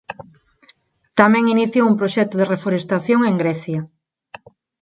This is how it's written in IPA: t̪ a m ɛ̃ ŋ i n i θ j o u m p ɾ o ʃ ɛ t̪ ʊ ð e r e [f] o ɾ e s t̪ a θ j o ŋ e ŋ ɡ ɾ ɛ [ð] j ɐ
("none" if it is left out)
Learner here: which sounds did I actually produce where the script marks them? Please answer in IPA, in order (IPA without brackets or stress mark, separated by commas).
f, θ